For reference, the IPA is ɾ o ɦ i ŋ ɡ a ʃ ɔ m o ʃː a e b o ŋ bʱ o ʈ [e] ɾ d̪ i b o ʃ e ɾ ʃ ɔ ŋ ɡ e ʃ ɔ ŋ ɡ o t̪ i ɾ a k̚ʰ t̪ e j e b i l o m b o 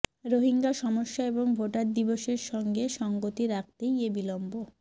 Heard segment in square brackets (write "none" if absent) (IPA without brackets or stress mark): a